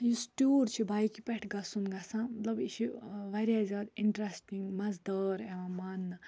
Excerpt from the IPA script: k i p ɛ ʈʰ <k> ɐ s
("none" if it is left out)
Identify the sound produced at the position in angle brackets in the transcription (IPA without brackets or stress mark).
ɡ